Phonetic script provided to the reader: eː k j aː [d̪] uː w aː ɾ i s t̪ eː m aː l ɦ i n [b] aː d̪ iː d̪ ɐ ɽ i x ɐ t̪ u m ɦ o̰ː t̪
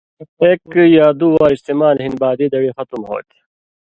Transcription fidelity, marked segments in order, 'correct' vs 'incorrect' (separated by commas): correct, correct